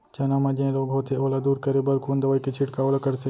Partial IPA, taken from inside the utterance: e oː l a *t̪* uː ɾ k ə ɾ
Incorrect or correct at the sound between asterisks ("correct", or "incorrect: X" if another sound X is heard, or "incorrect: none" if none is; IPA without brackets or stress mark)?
incorrect: d̪